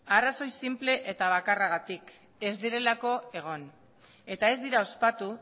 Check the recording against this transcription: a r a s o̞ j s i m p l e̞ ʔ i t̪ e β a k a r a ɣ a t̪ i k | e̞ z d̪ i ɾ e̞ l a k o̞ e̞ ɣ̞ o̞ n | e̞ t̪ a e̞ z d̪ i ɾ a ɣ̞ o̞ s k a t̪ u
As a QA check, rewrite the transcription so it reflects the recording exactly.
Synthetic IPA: a r a s o̞ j s i m p l e̞ ʔ e t̪ a β a k a r a ɣ a t̪ i k | e̞ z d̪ i ɾ e̞ l a k o̞ e̞ ɣ̞ o̞ n | e̞ t̪ a e̞ z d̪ i ɾ a o̞ s p a t̪ u